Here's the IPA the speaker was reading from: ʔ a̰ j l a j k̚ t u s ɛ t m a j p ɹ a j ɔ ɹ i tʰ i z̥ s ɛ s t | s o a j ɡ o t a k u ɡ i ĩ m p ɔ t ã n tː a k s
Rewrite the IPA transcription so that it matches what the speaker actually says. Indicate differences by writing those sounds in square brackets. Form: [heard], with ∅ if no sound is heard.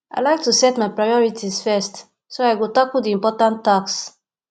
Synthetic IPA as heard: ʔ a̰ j l a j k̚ t u s ɛ t m a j p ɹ a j ɔ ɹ i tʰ i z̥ [f] ɛ s t | s o a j ɡ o t a k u [d] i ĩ m p ɔ t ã n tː a k s